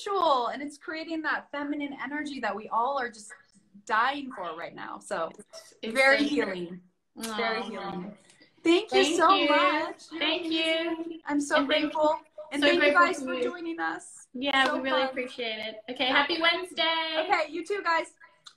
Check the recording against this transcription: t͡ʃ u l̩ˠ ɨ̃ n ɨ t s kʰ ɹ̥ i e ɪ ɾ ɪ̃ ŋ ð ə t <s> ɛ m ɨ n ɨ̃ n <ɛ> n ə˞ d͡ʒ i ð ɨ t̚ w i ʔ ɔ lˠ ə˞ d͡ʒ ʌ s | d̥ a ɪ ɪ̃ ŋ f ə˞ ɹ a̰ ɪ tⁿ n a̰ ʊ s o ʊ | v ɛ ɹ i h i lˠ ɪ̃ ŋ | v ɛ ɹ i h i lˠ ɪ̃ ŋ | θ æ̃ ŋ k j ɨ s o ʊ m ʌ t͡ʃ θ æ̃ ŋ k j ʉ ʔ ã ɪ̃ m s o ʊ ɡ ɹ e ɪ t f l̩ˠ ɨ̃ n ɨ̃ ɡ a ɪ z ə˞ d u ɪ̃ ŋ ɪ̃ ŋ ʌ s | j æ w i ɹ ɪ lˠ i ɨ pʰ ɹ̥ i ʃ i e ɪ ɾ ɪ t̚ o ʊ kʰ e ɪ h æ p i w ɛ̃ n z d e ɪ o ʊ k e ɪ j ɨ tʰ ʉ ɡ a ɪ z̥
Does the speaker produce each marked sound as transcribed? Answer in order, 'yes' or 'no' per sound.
no, yes

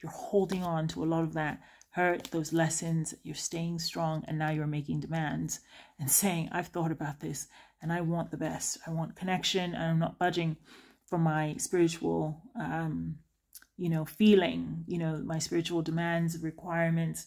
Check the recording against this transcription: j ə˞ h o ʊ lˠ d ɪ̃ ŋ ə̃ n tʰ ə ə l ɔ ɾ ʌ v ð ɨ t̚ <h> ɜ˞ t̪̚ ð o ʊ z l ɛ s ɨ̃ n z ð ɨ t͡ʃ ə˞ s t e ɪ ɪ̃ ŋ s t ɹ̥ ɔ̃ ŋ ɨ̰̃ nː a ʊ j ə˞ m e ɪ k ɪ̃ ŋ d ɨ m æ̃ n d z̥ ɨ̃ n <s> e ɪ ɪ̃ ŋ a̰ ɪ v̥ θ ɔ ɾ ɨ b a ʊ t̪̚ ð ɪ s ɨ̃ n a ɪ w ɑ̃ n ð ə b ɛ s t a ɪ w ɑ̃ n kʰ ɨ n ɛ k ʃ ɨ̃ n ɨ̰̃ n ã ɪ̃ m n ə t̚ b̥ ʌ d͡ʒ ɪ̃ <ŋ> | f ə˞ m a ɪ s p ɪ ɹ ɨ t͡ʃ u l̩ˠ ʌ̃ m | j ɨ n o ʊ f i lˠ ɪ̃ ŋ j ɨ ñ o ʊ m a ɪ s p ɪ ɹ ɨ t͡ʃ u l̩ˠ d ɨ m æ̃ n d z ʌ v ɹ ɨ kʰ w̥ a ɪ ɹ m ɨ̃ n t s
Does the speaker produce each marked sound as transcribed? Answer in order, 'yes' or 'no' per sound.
yes, yes, yes

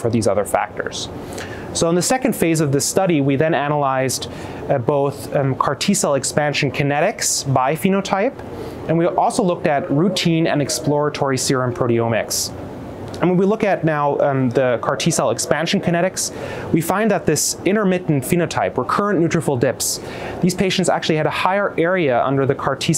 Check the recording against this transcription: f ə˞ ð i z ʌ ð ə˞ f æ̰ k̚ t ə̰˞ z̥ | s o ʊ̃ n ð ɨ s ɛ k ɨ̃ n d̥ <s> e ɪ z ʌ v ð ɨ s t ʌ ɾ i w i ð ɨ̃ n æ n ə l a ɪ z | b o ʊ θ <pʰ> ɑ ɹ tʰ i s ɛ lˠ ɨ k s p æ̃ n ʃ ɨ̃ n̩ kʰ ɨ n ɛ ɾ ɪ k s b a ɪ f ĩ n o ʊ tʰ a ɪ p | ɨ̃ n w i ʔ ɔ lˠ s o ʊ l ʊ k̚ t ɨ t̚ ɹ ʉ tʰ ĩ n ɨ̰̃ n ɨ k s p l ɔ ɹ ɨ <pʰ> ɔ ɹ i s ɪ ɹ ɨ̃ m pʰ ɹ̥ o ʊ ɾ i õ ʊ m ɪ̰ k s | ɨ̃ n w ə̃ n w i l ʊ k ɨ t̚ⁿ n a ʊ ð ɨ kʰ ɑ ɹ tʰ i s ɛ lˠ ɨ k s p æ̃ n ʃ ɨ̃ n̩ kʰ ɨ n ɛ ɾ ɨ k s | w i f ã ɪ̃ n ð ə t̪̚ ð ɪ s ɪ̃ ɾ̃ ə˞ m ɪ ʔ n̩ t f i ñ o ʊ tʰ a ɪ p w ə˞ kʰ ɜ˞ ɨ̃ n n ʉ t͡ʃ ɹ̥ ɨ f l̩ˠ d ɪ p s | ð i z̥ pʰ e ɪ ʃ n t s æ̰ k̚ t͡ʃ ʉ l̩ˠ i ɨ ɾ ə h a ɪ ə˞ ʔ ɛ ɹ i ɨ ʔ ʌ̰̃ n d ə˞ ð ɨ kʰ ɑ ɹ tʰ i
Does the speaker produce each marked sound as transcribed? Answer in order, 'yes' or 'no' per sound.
no, no, no

